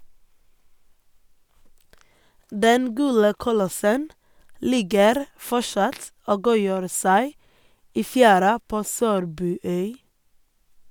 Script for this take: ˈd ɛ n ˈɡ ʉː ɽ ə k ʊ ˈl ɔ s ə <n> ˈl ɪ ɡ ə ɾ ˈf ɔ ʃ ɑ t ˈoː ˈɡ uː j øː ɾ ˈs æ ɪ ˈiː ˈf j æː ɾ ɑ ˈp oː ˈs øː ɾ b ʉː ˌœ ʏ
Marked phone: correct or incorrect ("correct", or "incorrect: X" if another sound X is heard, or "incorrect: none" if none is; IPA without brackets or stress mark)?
correct